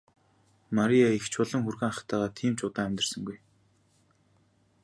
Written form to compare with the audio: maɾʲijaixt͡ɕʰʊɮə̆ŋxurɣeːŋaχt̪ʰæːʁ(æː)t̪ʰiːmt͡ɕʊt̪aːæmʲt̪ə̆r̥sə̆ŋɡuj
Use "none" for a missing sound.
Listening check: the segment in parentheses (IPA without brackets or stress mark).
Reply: aː